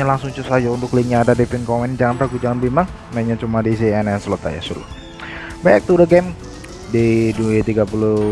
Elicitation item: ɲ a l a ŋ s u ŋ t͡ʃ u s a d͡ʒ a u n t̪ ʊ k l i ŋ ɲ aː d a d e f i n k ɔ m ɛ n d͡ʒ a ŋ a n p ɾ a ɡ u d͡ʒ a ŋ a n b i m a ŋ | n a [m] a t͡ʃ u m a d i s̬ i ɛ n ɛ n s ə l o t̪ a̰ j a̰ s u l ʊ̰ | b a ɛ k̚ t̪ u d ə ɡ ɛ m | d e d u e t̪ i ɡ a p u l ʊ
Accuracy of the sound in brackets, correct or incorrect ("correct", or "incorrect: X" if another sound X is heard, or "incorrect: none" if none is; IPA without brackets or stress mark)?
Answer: incorrect: ɲ